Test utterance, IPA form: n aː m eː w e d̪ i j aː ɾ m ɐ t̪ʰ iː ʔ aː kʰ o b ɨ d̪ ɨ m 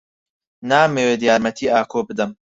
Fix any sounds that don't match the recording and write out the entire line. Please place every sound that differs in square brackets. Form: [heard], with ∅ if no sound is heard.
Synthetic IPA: n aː m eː w e d̪ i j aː ɾ m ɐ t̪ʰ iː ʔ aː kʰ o b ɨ d̪ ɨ m